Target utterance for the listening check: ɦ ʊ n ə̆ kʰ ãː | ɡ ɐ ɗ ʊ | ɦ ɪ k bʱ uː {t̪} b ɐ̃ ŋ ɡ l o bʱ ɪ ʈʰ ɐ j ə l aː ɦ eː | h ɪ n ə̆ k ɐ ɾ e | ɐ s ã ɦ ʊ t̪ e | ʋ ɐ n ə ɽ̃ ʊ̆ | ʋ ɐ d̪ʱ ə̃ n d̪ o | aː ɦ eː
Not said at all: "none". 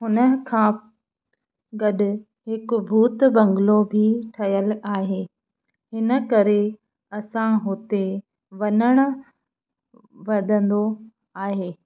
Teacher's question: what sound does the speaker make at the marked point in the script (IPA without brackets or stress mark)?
t̪